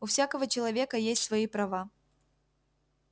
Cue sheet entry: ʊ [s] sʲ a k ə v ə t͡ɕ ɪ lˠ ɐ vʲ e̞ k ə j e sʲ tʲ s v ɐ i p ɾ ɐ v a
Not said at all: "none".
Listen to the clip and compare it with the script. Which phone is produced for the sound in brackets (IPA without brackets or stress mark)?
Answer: f